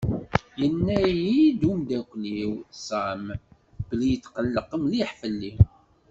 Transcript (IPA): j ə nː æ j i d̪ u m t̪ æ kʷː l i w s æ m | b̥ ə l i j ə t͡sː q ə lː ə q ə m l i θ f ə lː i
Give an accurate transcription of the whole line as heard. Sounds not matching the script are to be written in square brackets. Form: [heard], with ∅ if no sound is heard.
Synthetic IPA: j ə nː æ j i d̪ u m [d̪] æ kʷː l i w s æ m | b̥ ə l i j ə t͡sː q ə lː ə q ə m l i [ħ] f ə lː i